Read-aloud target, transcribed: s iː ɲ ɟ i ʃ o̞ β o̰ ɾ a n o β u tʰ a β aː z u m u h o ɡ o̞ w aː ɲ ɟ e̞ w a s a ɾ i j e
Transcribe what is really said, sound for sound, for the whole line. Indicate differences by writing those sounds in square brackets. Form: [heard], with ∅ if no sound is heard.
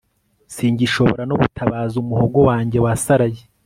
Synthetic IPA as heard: s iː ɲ ɟ i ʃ o̞ β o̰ ɾ a n o β u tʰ a β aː z u m u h o ɡ o̞ w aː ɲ ɟ e̞ w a s a ɾ [a] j e